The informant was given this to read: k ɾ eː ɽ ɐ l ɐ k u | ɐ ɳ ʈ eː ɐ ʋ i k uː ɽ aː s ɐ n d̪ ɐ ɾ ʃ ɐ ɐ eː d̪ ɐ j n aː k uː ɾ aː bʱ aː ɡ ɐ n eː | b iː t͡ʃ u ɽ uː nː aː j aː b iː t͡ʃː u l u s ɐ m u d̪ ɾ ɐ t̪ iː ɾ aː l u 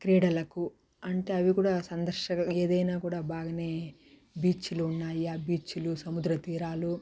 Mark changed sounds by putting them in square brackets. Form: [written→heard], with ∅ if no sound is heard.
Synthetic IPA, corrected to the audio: k ɾ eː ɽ ɐ l ɐ k u | ɐ ɳ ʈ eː ɐ ʋ i k uː ɽ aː s ɐ n d̪ ɐ ɾ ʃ ɐ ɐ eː d̪ ɐ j n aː k uː [ɾ→ɽ] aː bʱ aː ɡ ɐ n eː | b iː t͡ʃ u [ɽ→l] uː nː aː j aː b iː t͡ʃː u l u s ɐ m u d̪ ɾ ɐ t̪ iː ɾ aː l u